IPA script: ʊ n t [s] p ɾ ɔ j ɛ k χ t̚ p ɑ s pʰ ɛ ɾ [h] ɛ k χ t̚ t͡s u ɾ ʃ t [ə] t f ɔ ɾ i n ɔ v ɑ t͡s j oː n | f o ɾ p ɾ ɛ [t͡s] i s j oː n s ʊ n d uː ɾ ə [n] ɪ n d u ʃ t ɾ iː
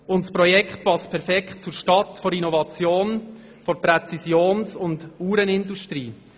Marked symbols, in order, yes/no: yes, no, no, yes, yes

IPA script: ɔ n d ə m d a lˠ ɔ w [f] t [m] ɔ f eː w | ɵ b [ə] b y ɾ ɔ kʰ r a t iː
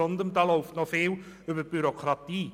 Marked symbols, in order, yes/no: yes, no, yes

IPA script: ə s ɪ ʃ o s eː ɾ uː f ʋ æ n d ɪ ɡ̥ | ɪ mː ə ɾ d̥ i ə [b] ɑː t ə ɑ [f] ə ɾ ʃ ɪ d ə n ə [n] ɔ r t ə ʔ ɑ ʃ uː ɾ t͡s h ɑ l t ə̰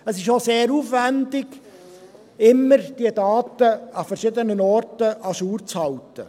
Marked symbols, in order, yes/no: no, yes, yes

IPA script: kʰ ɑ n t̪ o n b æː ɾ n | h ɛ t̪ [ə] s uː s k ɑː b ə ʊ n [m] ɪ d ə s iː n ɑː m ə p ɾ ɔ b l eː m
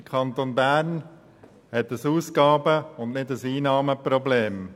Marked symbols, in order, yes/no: yes, no

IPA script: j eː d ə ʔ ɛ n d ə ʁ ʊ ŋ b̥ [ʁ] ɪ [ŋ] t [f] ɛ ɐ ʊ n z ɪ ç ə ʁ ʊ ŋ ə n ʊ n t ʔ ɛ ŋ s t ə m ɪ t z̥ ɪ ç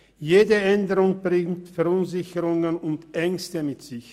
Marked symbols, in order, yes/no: yes, yes, yes

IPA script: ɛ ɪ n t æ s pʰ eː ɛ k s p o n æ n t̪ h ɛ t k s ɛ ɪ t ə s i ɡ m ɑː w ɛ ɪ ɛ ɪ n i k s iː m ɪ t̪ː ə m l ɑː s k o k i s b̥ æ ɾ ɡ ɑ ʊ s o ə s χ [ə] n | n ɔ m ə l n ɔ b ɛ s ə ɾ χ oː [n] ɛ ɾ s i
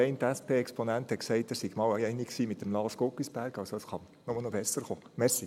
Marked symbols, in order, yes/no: no, no

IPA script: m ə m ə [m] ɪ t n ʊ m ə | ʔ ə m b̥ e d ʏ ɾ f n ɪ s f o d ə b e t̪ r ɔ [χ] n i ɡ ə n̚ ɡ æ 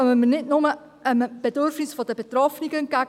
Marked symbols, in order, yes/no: no, no

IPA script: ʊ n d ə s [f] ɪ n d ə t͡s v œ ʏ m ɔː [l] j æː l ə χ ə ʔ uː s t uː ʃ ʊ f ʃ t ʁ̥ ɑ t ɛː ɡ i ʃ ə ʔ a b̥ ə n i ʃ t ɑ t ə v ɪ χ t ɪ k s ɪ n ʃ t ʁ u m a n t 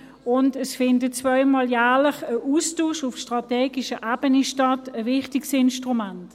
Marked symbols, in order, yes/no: yes, yes

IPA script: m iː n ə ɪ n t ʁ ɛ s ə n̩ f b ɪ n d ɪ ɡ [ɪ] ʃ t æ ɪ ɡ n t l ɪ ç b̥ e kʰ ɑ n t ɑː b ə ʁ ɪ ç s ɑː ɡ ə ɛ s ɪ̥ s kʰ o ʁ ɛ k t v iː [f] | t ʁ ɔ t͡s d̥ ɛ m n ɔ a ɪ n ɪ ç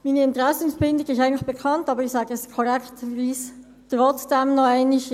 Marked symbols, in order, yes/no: yes, no

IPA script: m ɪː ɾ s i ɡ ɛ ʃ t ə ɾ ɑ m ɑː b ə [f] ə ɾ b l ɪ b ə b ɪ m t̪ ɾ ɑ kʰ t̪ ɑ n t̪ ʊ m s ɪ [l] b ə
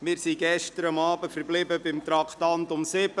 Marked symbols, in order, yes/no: yes, no

